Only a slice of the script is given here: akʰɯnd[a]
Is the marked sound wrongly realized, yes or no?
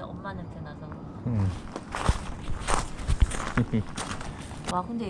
yes